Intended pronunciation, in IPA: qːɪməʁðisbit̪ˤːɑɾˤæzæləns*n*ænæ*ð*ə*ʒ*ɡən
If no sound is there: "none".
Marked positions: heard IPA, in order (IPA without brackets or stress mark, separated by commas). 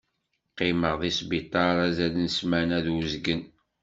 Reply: m, ð, z